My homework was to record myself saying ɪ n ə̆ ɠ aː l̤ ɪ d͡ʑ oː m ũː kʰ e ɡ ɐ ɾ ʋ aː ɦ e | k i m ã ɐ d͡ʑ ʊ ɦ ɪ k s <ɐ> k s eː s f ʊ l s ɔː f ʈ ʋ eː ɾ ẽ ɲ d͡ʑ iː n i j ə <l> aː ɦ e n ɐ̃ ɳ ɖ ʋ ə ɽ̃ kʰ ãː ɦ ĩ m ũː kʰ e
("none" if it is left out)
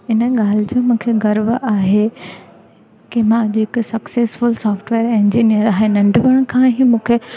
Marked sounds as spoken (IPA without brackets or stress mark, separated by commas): ɐ, ɾ